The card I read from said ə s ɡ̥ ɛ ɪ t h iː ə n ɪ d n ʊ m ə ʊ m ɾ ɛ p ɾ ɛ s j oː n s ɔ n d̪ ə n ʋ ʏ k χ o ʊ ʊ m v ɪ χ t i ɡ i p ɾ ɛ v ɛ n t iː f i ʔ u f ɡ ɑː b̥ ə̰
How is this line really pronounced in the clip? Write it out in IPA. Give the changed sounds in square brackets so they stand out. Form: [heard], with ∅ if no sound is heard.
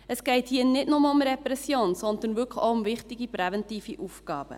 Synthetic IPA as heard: ə s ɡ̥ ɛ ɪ t h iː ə n ɪ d n ʊ m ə ʊ m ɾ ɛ p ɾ ɛ s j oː n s ɔ n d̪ ə n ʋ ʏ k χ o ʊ ʊ m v ɪ χ t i ɡ i p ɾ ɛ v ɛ n t iː f i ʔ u f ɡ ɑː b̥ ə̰